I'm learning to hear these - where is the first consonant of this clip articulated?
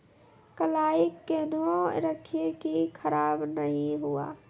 velum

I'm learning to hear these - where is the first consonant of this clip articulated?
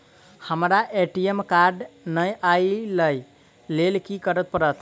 throat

